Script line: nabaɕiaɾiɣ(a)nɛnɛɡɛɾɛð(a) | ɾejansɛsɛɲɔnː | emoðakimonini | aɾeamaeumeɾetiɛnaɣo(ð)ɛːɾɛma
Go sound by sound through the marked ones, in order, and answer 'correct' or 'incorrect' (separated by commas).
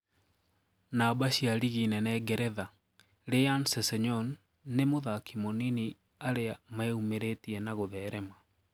incorrect, correct, correct